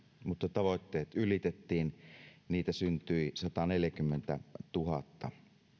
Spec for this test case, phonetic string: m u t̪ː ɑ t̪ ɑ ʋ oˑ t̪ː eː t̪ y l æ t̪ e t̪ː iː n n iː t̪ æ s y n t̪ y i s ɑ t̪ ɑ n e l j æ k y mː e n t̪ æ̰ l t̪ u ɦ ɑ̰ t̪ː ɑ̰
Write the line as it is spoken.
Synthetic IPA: m u t̪ː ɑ t̪ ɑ ʋ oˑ t̪ː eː t̪ y l i t̪ e t̪ː iː n n iː t̪ æ s y n t̪ y i s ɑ t̪ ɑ n e l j æ k y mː e n t̪ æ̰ t̪ u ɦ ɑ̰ t̪ː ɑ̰